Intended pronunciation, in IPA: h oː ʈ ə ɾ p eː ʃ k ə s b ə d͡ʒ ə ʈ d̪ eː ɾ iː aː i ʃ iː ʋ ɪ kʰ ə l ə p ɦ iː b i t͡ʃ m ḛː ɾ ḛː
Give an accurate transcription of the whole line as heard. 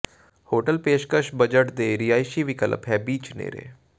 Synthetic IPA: h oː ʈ ə l p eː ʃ k ə ʃ b ə d͡ʒ ə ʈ d̪ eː ɾ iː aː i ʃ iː ʋ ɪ k ə l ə p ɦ ɛː b iː t͡ʃ n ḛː ɾ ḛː